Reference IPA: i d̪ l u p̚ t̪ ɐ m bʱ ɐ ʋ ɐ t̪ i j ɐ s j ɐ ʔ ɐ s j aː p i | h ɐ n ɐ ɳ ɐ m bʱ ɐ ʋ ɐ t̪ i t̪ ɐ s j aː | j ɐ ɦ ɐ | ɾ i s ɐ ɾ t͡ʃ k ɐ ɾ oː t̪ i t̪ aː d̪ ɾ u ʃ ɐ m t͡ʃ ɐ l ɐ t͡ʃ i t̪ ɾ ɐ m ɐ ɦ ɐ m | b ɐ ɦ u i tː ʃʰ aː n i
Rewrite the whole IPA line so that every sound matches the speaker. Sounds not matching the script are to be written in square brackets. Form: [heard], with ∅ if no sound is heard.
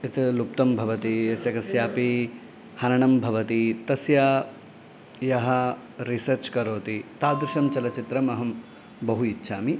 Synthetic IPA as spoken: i [t̪] l u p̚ t̪ ɐ m bʱ ɐ ʋ ɐ t̪ i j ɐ s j ɐ [k] ɐ s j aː p i | h ɐ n ɐ ɳ ɐ m bʱ ɐ ʋ ɐ t̪ i t̪ ɐ s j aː | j ɐ ɦ ɐ | ɾ i s ɐ ɾ t͡ʃ k ɐ ɾ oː t̪ i t̪ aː d̪ ɾ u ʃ ɐ m t͡ʃ ɐ l ɐ t͡ʃ i t̪ ɾ ɐ m ɐ ɦ ɐ m | b ɐ ɦ u i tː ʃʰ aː [m] i